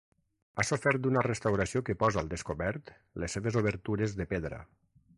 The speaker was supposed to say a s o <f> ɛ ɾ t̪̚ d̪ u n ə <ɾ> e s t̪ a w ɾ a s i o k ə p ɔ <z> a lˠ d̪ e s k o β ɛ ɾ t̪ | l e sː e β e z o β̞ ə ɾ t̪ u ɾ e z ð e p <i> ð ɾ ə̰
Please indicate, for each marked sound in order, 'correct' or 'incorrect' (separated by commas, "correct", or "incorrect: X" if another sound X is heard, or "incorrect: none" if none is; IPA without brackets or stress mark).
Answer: correct, incorrect: r, correct, incorrect: e